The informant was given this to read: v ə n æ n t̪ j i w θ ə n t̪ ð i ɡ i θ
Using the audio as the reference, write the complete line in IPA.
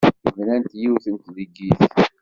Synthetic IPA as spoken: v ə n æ n t̪ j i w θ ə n t̪ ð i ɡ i θ